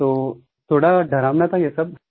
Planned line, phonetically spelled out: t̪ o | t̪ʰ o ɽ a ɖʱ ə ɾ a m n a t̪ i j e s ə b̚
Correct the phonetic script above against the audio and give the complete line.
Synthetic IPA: t̪ o | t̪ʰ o ɽ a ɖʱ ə ɾ a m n a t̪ a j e s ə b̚